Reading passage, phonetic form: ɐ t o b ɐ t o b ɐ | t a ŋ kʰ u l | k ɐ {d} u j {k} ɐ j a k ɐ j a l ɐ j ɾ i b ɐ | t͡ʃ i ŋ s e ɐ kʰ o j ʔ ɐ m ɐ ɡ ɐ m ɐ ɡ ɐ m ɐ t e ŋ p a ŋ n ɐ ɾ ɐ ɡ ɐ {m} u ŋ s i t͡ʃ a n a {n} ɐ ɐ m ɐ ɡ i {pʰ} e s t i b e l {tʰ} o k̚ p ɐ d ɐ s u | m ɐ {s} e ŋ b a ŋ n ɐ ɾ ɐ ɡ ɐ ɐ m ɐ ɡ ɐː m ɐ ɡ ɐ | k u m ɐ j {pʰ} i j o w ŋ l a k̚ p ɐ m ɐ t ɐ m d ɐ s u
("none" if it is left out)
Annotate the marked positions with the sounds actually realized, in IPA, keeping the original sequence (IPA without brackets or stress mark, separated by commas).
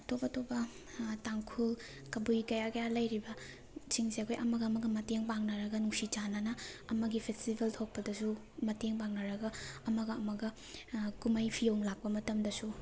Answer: b, k, n, n, pʰ, tʰ, t, pʰ